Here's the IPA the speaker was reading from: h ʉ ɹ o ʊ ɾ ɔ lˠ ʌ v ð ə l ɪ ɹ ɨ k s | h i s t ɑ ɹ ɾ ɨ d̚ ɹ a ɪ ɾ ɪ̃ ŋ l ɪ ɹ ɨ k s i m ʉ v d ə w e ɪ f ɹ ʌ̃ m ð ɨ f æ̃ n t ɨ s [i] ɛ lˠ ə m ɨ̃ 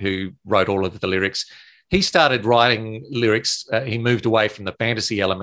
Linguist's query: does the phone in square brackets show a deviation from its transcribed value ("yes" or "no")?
no